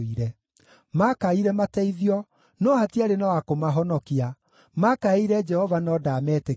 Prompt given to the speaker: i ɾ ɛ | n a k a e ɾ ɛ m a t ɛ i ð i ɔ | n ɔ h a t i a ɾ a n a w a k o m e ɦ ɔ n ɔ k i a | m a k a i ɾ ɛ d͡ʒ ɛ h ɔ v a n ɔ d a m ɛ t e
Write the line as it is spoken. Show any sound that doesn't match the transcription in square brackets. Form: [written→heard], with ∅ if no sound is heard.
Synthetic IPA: i ɾ ɛ | [n→m] a k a [e→i] ɾ ɛ m a t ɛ i ð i ɔ | n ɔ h a t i a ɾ [a→e] n a w a k o m [e→a] ɦ ɔ n ɔ k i a | m a k a i ɾ ɛ d͡ʒ ɛ h ɔ v a n ɔ d a m ɛ t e